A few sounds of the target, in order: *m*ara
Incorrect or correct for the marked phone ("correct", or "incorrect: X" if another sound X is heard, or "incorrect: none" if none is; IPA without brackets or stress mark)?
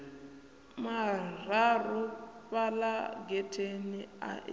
correct